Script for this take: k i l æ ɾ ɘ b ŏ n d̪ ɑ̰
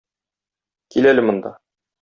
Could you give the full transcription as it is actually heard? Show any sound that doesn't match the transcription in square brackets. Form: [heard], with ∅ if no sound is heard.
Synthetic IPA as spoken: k i l æ [l] ɘ [m] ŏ n d̪ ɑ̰